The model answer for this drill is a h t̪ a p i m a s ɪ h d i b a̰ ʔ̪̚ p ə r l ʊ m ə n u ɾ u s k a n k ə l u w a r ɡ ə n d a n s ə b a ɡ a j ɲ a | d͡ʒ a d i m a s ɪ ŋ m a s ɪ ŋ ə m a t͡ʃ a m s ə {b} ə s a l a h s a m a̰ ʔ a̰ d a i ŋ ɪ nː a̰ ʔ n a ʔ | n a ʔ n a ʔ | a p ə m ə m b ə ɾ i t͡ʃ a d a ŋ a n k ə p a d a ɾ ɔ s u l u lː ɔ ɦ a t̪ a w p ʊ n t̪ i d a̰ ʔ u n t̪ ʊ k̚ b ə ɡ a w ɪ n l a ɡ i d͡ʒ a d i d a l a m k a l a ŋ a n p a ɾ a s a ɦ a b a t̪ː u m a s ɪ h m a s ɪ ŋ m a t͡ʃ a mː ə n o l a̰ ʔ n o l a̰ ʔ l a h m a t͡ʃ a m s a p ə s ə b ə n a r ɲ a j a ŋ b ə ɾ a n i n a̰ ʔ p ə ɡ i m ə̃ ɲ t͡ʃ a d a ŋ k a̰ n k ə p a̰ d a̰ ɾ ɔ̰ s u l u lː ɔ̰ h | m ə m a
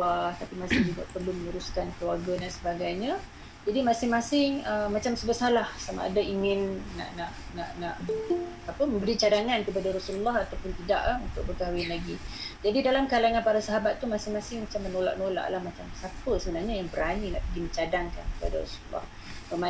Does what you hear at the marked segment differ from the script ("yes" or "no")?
no